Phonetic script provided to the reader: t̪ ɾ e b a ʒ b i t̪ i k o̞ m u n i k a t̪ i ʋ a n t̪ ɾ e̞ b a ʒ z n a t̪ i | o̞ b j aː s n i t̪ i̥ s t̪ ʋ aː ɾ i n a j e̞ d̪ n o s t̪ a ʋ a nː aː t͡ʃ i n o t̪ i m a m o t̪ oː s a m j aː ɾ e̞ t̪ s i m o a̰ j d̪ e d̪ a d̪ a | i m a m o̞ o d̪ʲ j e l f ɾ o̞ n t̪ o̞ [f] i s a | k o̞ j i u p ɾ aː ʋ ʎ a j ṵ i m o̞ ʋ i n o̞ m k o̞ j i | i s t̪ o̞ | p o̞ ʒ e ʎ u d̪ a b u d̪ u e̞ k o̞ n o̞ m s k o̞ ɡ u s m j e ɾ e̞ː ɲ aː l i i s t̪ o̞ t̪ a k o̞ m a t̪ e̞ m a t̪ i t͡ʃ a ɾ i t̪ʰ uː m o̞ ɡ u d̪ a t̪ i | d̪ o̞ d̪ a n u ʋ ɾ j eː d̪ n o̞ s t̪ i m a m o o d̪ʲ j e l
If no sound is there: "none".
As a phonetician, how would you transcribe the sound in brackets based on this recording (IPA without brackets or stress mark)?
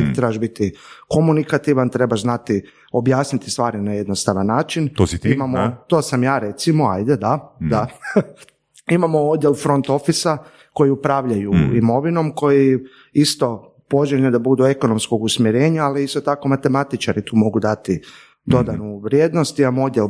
f